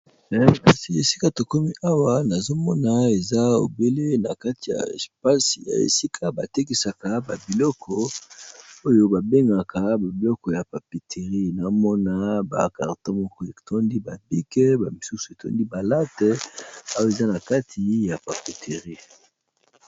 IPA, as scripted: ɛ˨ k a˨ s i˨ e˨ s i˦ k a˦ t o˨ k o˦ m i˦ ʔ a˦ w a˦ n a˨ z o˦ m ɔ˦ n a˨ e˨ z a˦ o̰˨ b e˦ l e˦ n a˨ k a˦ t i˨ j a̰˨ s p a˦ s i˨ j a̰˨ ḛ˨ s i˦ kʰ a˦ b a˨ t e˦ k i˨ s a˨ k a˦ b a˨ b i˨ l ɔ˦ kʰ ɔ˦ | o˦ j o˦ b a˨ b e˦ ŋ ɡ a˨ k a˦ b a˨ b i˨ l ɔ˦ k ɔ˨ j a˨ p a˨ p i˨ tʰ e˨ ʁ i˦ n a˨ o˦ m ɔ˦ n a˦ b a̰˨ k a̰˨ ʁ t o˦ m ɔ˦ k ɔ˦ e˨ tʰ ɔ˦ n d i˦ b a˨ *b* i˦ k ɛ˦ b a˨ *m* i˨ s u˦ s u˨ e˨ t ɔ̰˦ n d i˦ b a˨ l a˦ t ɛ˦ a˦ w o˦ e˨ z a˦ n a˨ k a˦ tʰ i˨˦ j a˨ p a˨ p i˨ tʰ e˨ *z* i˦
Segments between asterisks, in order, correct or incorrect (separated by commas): correct, correct, incorrect